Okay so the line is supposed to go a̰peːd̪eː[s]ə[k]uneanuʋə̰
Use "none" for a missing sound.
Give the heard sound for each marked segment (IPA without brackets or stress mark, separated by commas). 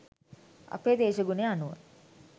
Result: ʃ, ɡ